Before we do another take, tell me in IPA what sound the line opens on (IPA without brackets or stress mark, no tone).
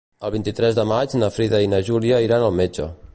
ə